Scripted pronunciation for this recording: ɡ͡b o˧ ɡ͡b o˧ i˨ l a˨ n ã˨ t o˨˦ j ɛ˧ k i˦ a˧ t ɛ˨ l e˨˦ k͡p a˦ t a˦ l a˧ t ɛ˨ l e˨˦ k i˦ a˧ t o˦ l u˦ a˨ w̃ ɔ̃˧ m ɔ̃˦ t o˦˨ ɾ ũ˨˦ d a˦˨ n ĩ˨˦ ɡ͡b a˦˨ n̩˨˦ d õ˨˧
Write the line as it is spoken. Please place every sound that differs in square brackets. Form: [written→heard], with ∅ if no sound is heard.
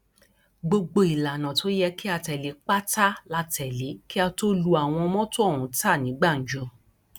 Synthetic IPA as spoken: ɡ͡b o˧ ɡ͡b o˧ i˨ l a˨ n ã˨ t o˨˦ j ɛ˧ k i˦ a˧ t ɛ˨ l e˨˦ k͡p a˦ t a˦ l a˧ t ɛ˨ l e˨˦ k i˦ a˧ t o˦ l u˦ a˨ w̃ ɔ̃˧ m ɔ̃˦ t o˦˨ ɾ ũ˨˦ [d→t] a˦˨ n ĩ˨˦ ɡ͡b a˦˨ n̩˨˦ [d→d͡ʒ] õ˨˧

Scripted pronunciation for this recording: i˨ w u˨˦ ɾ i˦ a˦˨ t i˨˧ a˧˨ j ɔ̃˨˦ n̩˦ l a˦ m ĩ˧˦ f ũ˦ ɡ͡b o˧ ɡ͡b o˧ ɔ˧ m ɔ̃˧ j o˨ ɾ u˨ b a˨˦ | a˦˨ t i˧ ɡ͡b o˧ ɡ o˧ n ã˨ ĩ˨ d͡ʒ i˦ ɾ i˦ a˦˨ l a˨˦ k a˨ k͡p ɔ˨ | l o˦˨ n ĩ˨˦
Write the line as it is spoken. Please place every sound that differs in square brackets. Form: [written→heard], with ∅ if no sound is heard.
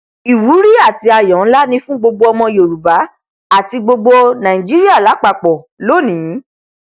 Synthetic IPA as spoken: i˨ w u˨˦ ɾ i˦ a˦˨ t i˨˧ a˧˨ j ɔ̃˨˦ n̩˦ l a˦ [m→n] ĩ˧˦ f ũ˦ ɡ͡b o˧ ɡ͡b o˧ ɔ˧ m ɔ̃˧ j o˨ ɾ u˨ b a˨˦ | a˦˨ t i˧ ɡ͡b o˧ [ɡ→ɡ͡b] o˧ n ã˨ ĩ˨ d͡ʒ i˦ ɾ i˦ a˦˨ l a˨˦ [k→k͡p] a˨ k͡p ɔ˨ | l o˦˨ n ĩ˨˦

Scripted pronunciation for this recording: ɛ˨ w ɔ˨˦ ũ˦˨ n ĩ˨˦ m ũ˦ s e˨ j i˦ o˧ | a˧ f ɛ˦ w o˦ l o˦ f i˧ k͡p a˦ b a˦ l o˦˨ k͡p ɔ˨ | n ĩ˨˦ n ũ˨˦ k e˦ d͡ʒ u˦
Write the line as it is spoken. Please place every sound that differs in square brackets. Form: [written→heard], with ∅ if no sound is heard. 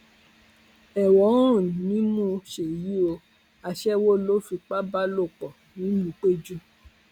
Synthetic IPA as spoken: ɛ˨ w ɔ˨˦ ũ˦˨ n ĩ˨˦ m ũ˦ [s→ʃ] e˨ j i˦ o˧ | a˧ [f→ʃ] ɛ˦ w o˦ l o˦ f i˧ k͡p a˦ b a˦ l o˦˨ k͡p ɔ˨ | n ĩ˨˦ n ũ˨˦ [k→k͡p] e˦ d͡ʒ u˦

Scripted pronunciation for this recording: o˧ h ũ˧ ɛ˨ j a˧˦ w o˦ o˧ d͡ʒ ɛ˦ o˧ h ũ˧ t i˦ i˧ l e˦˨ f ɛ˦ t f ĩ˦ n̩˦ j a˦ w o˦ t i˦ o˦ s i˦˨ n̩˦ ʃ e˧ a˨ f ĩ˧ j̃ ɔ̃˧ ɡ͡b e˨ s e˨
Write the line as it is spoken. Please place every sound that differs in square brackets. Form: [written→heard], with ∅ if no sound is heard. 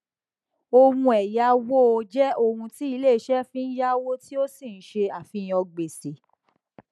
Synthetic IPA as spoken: o˧ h ũ˧ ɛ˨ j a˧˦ w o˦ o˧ d͡ʒ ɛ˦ o˧ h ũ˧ t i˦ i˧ l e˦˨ [f→ʃ] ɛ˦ [t→∅] f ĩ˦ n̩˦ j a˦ w o˦ t i˦ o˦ s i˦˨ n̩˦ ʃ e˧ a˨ f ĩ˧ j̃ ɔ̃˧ ɡ͡b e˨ s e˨

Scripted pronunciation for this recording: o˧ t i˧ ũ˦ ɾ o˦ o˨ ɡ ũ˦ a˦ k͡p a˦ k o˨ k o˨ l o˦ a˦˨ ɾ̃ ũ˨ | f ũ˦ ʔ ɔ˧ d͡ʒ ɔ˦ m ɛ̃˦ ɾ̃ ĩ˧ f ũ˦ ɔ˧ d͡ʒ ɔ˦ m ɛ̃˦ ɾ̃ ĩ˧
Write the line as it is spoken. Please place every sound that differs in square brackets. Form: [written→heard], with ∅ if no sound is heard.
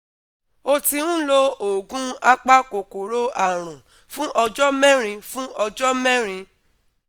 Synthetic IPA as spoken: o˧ t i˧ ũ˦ [ɾ→l] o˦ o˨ ɡ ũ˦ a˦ k͡p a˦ k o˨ k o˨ [l→ɾ] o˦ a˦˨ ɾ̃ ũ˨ | f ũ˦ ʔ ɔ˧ d͡ʒ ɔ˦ m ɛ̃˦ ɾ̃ ĩ˧ f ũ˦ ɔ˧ d͡ʒ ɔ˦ m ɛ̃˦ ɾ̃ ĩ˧

